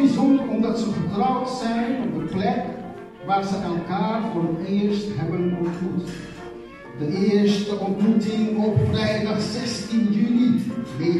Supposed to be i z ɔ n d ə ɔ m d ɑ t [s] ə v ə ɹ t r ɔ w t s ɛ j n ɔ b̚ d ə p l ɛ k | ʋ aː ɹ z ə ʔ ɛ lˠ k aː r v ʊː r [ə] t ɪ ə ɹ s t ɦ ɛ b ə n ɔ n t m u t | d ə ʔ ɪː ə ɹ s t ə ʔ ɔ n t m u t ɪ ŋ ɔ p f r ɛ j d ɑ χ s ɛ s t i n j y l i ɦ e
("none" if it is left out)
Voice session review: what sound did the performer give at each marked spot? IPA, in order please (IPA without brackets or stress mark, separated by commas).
s, ə